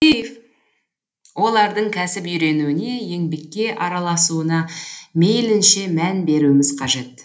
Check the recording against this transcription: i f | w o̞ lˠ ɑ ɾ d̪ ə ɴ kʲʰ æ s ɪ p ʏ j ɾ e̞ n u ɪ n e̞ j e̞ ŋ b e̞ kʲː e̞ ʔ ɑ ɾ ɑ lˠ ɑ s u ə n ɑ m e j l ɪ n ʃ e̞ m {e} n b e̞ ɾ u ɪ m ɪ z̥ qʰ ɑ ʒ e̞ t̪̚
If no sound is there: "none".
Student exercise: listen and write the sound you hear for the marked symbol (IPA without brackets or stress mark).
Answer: æ